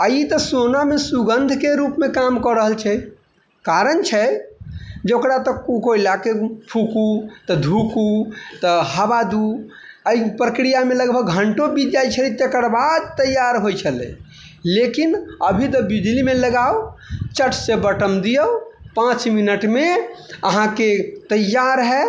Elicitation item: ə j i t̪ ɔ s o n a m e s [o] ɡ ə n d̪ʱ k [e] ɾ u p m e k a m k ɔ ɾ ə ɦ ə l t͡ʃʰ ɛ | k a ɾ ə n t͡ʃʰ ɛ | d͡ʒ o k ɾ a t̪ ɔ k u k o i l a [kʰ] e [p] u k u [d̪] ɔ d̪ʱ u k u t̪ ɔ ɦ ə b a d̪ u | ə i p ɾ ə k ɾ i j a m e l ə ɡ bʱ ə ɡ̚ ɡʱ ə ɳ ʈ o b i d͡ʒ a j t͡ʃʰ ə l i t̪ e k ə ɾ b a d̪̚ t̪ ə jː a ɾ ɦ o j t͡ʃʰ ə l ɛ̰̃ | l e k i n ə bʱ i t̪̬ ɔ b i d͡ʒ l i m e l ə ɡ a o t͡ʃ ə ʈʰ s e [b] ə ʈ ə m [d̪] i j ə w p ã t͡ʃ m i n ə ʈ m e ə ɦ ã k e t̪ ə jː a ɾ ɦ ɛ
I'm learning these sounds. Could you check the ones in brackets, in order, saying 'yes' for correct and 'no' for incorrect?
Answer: no, yes, no, no, no, yes, yes

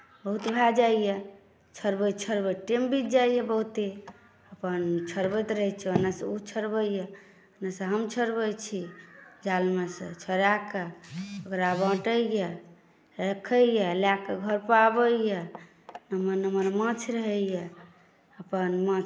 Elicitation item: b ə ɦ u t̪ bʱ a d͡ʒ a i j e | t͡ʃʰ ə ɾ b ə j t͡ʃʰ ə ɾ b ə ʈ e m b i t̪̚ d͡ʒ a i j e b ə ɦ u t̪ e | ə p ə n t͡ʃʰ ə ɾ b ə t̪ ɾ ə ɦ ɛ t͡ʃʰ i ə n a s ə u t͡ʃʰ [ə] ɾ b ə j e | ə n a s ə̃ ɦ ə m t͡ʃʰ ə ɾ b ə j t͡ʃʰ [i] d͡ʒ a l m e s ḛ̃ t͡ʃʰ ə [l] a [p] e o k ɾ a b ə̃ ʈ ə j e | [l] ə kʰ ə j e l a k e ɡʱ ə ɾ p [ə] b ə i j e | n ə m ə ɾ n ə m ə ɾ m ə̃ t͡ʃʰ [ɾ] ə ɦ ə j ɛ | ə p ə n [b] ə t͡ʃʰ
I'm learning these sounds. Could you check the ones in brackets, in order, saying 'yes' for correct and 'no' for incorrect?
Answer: yes, yes, no, no, no, no, yes, no

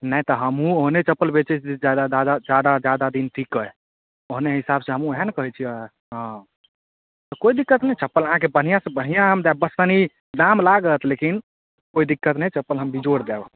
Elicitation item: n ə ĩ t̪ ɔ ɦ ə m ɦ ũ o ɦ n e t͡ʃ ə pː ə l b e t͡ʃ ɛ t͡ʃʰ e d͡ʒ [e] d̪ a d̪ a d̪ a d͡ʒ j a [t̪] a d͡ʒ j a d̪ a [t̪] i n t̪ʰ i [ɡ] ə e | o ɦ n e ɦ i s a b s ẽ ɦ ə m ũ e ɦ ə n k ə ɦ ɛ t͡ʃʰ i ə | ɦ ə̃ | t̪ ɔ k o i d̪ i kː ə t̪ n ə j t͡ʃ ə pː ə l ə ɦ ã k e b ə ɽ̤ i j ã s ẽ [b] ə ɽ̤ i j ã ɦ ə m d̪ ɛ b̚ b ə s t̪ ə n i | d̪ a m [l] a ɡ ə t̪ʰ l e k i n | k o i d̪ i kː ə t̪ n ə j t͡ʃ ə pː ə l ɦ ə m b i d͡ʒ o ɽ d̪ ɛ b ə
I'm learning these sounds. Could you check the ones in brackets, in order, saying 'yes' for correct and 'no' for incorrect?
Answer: no, no, no, no, yes, yes

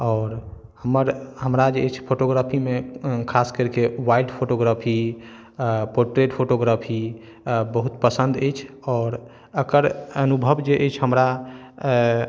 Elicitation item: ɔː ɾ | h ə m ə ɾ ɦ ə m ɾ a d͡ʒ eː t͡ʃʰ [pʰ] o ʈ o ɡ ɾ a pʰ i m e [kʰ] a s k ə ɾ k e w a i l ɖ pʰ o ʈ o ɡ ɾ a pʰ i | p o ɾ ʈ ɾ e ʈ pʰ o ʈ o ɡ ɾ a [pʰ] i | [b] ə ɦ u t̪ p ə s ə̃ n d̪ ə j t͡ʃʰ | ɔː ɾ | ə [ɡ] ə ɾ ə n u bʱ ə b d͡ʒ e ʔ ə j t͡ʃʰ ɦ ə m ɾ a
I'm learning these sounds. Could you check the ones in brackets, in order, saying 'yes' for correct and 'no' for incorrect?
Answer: yes, yes, yes, yes, no

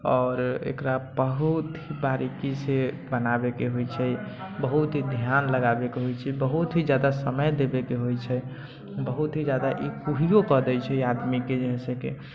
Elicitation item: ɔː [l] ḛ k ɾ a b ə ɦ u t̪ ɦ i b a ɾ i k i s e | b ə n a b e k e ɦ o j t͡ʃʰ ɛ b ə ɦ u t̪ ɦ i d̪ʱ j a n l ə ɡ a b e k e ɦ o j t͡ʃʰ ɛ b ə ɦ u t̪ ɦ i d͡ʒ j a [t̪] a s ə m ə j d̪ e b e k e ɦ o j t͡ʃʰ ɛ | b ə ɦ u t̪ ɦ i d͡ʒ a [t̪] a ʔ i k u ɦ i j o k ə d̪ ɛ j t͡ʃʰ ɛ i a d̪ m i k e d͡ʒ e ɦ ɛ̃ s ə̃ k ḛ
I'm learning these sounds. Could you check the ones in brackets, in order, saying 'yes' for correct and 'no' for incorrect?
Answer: no, no, no

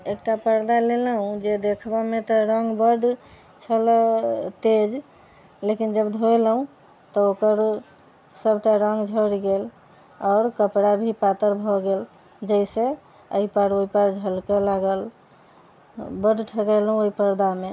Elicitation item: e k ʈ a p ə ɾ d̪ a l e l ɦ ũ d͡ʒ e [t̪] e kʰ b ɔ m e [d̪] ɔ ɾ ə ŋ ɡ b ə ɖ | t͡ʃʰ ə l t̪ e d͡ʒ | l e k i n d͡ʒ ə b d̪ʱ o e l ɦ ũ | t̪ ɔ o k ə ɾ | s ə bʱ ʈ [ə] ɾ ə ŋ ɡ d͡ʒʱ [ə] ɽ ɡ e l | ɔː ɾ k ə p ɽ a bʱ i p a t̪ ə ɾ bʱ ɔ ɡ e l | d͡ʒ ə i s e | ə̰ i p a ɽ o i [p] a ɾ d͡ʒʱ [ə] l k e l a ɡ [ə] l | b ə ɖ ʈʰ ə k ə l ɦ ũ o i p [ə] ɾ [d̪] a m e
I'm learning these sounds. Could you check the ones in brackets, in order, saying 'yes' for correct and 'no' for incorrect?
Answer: no, no, no, yes, yes, yes, yes, yes, yes

